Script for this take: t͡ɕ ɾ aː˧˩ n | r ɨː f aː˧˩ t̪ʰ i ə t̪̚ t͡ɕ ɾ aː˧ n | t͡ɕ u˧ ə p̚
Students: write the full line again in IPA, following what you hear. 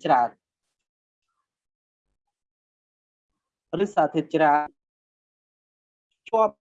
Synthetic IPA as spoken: t͡ɕ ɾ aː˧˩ n | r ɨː s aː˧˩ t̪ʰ i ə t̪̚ t͡ɕ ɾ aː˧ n | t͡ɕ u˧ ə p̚